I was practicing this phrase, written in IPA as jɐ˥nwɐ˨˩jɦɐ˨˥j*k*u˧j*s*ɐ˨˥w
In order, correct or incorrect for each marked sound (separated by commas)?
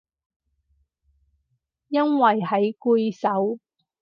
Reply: correct, correct